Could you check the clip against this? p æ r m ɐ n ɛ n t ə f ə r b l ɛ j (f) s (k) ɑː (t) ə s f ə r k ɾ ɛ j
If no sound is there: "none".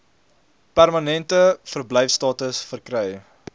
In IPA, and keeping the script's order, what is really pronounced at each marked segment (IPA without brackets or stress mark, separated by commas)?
f, t, t